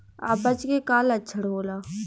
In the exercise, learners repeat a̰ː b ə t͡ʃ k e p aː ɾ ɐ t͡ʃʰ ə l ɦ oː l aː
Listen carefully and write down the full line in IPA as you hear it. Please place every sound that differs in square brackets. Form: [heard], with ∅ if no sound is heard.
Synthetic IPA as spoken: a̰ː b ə t͡ʃ k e [k] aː [l] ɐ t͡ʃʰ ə [ɽ] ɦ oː l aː